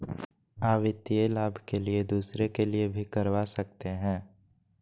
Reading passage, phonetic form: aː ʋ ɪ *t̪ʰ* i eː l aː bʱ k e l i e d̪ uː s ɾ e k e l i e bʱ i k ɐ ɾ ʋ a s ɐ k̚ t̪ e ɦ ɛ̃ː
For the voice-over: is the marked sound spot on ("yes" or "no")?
no